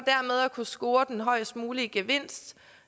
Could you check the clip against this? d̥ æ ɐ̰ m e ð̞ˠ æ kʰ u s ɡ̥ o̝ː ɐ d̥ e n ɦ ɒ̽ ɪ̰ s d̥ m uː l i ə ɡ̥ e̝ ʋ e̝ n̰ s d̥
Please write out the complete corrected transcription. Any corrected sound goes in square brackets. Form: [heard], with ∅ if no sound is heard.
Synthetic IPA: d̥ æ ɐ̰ m e ð̞ˠ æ kʰ u s ɡ̥ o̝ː ɐ d̥ e n ɦ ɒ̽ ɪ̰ s d̥ m uː l i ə ɡ̥ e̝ ʋ e̝ n̰ s d̥